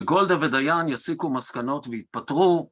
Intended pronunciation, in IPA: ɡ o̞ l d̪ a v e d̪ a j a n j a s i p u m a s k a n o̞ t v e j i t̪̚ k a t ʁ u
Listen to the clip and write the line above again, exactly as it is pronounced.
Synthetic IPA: ɡ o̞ l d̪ a v e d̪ a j a n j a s i k u m a s k a n o̞ t v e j i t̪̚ p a t ʁ u